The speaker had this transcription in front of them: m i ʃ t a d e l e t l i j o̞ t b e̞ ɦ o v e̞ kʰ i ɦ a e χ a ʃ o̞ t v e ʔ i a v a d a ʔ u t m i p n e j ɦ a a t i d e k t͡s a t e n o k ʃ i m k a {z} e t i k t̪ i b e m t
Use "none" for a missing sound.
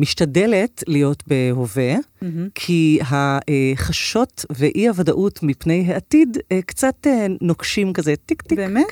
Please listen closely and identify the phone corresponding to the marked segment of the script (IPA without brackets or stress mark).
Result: z